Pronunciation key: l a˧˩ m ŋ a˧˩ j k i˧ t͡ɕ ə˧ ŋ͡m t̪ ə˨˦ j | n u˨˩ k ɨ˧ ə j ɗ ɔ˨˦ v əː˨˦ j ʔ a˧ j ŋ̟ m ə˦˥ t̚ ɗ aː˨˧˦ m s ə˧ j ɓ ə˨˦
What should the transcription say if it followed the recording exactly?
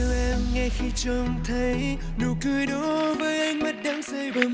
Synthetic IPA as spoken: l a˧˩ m ŋ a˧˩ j x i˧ t͡ɕ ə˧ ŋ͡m t̪ʰ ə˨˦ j | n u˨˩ k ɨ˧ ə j ɗ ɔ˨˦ v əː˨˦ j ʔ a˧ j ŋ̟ m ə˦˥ t̚ ɗ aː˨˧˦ ŋ s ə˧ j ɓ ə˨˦